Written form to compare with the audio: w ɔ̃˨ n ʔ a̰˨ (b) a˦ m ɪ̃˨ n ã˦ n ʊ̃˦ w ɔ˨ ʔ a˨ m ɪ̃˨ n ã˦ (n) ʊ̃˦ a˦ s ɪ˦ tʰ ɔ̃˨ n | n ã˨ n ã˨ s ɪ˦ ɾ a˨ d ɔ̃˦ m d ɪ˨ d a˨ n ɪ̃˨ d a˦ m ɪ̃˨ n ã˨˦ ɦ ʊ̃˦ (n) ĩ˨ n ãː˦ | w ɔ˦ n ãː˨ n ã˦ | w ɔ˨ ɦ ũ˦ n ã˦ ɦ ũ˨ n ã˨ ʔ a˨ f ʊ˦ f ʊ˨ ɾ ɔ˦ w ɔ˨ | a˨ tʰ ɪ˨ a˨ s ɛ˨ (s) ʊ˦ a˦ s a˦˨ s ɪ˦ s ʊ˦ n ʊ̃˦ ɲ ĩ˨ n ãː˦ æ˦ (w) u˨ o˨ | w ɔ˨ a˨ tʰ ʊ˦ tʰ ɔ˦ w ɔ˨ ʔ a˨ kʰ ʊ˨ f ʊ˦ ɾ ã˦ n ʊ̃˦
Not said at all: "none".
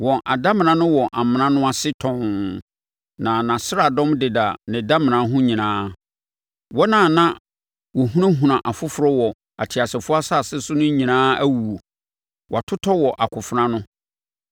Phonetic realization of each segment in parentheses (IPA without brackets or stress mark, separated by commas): d, n, ɲ, f, w